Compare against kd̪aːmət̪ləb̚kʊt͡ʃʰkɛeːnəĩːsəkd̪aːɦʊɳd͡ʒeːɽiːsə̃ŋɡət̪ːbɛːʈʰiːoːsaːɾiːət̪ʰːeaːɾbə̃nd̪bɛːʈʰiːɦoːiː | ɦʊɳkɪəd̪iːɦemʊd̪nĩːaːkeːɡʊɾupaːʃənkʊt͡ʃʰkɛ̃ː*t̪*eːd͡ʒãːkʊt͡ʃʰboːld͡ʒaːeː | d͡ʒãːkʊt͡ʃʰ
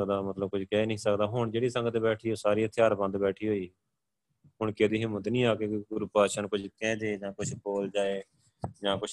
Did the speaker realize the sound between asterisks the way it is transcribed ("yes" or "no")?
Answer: no